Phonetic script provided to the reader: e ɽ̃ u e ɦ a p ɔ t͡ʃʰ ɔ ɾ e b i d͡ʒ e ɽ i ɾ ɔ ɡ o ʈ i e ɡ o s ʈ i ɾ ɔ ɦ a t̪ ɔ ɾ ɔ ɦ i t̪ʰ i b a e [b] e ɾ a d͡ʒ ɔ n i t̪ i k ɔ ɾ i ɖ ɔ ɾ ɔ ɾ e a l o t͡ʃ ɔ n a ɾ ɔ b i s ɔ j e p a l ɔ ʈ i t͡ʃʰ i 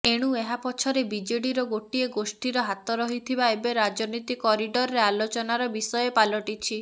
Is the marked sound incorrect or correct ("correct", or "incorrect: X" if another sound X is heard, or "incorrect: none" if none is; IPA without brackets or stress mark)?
correct